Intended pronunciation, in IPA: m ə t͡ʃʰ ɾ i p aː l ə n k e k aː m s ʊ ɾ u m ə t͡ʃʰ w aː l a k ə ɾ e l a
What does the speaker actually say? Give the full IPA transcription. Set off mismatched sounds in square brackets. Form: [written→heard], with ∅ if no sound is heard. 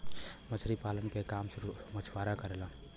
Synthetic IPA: m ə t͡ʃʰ ɾ i p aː l ə n k e k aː m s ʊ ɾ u m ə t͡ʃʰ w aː [l→ɾ] a k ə ɾ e l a